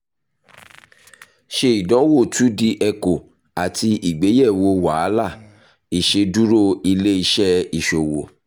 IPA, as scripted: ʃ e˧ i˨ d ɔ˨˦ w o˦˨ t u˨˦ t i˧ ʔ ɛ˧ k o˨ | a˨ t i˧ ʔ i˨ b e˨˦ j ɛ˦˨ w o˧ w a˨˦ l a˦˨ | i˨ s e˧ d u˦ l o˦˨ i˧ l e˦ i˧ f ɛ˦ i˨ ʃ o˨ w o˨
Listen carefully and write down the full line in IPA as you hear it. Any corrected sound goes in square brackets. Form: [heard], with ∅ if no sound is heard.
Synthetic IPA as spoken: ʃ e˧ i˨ d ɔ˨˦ w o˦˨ t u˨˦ [d] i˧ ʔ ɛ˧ k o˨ | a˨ t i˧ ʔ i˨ [ɡ͡b] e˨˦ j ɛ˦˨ w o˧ w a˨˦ l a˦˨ | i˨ [ʃ] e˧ d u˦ [ɾ] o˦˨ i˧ l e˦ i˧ [ʃ] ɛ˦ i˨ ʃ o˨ w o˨